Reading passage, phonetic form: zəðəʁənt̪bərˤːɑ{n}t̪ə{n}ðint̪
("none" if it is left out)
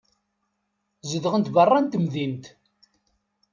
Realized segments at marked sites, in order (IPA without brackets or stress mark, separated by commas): n, m